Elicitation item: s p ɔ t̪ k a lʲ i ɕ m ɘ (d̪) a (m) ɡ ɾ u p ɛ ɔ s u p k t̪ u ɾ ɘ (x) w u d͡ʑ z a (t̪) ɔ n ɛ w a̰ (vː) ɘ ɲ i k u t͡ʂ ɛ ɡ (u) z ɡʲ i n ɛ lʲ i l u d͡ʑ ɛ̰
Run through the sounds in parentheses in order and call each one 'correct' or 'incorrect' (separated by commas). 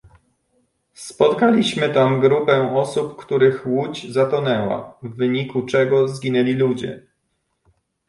incorrect, correct, correct, correct, correct, incorrect